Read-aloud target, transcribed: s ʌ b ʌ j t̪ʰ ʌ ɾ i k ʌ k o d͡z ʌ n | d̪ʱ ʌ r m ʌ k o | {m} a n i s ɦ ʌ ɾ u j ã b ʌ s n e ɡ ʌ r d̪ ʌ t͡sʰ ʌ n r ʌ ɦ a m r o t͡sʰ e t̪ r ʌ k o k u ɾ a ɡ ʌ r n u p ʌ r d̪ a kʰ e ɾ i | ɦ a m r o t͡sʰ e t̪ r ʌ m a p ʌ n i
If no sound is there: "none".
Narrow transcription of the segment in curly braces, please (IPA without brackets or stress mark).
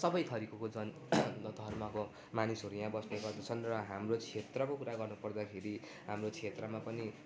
m